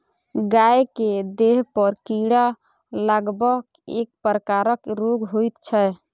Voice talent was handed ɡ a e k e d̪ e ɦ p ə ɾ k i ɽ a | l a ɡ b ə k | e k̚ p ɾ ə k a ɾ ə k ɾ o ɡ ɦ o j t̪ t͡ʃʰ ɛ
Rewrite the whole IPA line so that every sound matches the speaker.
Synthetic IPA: ɡ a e k e d̪ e ɦ p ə ɾ k i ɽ a | l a ɡ b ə k | e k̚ p ɾ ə k a ɾ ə k ɾ o ɡ ɦ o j t̪ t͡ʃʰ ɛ